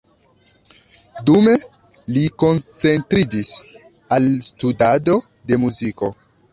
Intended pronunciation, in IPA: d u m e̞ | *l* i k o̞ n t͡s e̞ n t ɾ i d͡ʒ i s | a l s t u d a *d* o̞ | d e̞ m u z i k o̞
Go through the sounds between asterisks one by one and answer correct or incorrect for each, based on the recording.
correct, correct

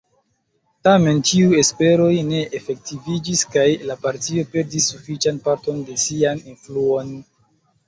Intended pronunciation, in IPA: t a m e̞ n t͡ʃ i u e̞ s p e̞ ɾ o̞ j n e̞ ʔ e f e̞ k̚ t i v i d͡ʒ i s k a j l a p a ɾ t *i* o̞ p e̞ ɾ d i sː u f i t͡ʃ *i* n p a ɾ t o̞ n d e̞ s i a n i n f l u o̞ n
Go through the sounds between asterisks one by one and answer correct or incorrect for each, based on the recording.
correct, incorrect

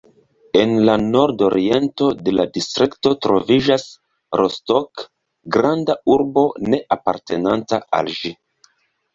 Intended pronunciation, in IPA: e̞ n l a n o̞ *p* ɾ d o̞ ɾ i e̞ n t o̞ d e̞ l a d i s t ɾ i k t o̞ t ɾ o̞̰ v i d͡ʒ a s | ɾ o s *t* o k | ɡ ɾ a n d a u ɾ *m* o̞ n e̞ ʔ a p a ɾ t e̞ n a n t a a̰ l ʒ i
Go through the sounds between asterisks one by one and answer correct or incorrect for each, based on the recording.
incorrect, correct, incorrect

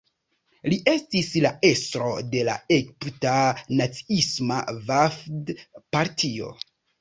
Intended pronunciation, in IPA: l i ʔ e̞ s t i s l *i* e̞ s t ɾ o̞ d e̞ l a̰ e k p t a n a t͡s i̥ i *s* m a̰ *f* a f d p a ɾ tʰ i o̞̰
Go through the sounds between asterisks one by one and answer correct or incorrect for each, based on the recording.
incorrect, correct, incorrect

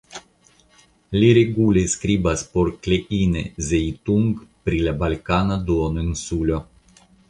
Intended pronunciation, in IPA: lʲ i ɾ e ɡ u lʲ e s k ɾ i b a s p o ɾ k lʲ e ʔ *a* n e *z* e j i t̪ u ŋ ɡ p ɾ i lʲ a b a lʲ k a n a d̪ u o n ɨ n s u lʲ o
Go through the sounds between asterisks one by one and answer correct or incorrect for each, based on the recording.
incorrect, correct

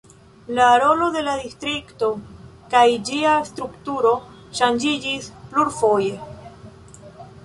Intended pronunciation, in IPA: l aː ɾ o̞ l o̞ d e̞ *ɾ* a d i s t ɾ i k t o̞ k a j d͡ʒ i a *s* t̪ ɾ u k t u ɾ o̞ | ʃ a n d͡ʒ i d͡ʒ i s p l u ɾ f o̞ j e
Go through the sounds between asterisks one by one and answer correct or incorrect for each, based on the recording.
incorrect, correct

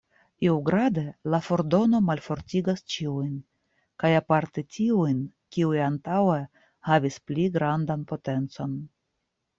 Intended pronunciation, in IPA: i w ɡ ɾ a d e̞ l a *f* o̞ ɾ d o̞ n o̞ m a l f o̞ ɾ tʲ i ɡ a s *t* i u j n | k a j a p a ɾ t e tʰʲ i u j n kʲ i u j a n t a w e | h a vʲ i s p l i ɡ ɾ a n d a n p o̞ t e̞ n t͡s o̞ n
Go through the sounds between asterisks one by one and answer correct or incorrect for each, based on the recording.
correct, incorrect

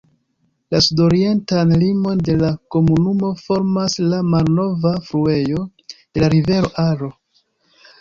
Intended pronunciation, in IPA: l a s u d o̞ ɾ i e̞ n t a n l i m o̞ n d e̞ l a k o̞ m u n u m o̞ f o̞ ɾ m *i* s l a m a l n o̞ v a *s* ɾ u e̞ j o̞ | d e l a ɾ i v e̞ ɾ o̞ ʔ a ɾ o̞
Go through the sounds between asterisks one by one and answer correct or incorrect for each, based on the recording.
incorrect, incorrect

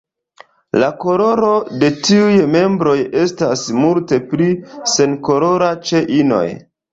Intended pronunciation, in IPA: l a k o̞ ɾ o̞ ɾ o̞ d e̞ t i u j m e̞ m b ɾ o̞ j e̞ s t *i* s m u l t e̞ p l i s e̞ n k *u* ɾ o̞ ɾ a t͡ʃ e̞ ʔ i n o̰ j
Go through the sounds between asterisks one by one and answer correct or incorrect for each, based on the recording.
incorrect, incorrect

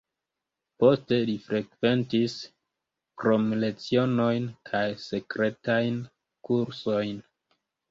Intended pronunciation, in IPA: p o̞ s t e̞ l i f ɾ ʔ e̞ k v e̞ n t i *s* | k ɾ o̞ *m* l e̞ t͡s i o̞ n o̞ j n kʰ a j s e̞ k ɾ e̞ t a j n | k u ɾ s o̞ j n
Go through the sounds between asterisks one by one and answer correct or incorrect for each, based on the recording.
correct, correct

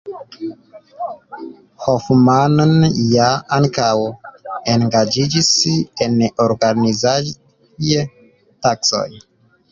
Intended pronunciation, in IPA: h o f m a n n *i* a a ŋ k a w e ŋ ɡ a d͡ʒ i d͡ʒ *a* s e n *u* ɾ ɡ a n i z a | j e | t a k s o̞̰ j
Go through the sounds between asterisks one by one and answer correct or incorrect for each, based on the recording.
incorrect, incorrect, incorrect

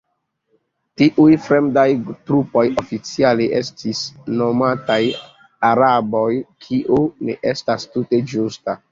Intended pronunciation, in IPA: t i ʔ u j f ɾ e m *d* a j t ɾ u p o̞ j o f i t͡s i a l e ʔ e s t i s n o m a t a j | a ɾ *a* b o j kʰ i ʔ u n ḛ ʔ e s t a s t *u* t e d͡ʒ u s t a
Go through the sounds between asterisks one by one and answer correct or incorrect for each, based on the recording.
correct, correct, correct

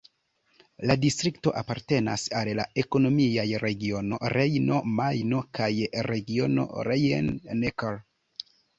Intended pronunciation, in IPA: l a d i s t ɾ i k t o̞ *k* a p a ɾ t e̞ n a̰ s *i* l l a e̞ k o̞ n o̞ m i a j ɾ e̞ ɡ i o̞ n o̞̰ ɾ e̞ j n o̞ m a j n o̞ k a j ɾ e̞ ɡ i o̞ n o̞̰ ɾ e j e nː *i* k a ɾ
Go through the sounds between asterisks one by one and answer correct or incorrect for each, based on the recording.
incorrect, incorrect, incorrect

